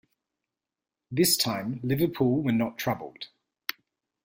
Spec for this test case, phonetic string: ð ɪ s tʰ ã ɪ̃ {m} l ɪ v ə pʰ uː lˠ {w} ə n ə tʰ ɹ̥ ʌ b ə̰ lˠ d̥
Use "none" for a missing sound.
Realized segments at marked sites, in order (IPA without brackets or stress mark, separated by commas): m, w